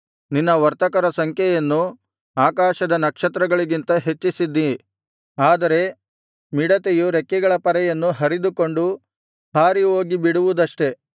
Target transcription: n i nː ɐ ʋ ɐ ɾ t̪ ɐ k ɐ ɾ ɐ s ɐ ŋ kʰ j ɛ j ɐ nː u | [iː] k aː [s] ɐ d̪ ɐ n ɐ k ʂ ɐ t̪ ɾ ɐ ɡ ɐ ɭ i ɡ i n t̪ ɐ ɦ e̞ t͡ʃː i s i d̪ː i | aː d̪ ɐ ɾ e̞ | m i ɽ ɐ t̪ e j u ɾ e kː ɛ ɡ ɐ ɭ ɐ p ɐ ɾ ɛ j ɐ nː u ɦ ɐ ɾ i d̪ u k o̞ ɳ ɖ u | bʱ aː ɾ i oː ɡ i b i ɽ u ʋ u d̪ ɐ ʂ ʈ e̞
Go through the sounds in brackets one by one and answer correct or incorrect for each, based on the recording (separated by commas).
incorrect, incorrect